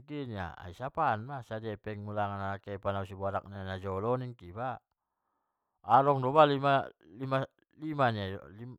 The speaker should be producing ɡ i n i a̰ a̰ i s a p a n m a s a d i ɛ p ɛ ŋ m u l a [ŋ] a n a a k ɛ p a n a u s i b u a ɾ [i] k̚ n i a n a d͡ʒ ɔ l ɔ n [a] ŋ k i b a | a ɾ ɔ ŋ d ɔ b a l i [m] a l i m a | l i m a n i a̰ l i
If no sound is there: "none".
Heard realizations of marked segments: ŋ, a, i, m

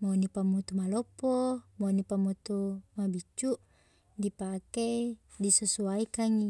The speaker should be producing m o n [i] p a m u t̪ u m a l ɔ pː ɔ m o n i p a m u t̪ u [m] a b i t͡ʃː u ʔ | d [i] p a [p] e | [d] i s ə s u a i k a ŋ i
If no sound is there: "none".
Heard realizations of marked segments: i, m, i, k, d

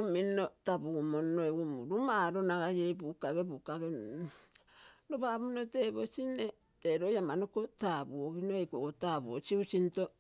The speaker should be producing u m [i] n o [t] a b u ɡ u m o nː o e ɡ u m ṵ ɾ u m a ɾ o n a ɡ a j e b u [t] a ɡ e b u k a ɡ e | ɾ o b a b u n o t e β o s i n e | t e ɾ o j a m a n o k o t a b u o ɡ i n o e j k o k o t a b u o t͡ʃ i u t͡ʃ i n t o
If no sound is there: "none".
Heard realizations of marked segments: i, t, k

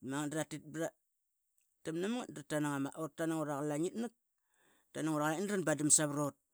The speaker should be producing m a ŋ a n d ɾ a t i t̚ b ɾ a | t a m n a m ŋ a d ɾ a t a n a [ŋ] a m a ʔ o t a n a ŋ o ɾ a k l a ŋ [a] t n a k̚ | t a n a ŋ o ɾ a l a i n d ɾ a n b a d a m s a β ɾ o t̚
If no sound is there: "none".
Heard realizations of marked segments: ŋ, i

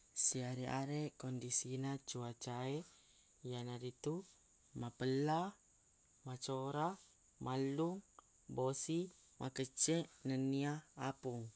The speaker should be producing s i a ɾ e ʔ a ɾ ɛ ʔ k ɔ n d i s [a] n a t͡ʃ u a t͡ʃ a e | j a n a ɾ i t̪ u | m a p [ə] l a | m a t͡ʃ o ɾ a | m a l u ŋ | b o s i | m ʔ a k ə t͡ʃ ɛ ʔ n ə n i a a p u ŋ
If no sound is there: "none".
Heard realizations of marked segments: i, ə

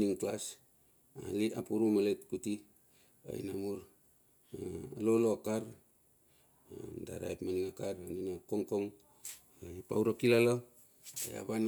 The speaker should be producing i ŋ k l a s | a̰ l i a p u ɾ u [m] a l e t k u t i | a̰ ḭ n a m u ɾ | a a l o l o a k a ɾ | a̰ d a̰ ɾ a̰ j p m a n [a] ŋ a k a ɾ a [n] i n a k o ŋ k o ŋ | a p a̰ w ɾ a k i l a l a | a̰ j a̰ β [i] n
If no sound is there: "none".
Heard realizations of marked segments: m, i, n, a

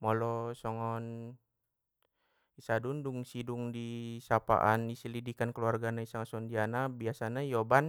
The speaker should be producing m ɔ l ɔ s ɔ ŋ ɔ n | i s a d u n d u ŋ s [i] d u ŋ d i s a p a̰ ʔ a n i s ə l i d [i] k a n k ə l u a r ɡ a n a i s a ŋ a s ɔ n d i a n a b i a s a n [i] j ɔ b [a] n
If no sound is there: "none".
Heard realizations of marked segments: i, i, a, a

